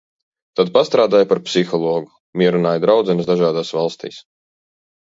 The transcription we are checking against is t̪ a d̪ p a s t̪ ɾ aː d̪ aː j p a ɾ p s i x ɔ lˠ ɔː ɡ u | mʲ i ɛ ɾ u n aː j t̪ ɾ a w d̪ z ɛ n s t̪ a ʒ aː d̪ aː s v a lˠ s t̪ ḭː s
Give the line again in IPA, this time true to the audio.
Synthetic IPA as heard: t̪ a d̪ p a s t̪ ɾ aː d̪ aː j p a ɾ p s i x ɔ lˠ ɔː ɡ u | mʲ i ɛ ɾ u n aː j d̪ ɾ a w d̪ z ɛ n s d̪ a ʒ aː d̪ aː s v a lˠ s t̪ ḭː s